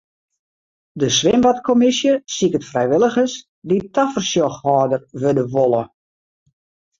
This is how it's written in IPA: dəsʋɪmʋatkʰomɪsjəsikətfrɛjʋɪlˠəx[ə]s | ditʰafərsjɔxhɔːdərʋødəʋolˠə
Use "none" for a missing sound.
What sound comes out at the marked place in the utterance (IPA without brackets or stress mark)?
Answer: ə